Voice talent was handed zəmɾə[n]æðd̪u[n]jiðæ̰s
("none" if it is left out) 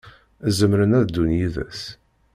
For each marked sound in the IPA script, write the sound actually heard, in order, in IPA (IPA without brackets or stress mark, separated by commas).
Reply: n, n